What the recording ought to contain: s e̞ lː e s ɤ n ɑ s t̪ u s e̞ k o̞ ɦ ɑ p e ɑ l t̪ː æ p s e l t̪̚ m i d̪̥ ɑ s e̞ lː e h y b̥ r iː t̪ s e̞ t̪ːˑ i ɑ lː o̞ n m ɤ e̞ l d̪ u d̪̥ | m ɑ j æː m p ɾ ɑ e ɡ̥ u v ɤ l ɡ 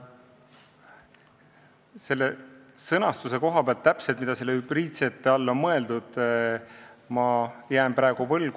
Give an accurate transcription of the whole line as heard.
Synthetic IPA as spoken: s e̞ lː e s ɤ n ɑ s t̪ u s e̞ k o̞ ɦ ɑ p e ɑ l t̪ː æ p s e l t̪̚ m i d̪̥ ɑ s e̞ lː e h y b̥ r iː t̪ s e̞ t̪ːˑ e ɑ lː o̞ n m ɤ e̞ l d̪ u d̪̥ | m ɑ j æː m p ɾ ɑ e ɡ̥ u v ɤ l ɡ